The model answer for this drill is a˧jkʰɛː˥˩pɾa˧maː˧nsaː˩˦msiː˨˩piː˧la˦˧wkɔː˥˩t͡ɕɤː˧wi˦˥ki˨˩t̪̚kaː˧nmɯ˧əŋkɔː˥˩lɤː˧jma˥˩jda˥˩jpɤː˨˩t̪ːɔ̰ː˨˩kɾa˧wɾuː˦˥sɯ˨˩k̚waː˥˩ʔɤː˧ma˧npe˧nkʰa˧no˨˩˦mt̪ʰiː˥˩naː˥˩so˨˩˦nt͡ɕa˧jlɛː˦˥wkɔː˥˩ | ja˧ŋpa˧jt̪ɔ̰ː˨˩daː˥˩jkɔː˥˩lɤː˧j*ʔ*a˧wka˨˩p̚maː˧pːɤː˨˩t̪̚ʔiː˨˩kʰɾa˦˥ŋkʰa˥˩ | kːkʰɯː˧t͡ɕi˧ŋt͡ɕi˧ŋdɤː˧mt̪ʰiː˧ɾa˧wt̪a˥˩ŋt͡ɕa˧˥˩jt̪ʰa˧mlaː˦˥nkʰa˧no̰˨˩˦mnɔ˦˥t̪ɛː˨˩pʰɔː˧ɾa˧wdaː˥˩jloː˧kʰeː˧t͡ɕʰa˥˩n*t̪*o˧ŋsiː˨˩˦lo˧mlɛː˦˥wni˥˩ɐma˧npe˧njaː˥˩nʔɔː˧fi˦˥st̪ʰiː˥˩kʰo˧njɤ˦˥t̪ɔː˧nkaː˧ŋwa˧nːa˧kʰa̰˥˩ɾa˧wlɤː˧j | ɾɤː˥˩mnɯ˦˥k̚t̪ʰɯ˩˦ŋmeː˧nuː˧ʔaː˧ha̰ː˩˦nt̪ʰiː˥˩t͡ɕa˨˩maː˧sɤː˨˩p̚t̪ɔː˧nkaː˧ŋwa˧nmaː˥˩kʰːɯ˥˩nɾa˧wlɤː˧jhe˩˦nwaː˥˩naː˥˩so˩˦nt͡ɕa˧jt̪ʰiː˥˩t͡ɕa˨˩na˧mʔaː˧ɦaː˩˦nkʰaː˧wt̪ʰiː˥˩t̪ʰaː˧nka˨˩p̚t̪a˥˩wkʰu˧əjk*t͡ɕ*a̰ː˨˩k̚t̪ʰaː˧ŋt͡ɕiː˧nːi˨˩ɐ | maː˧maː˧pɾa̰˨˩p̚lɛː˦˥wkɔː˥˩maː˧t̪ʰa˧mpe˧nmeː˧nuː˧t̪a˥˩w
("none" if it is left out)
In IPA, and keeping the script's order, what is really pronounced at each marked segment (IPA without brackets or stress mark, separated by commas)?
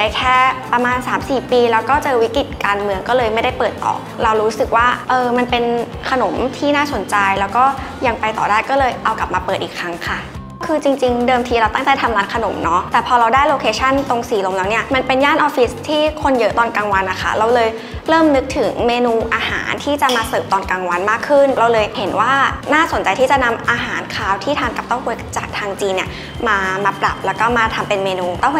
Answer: ʔ, t̪, t͡ɕ